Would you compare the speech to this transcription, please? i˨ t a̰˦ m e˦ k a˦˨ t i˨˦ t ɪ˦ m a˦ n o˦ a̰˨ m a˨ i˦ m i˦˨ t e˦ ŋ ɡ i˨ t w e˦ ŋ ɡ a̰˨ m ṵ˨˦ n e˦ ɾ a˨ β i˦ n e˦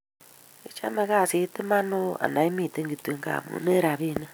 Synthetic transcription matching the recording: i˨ t͡ʃ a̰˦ m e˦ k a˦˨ s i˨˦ t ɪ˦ m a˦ n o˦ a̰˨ n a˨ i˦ m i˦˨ t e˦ ŋ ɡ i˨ t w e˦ ŋ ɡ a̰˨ m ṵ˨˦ n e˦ ɾ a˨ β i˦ n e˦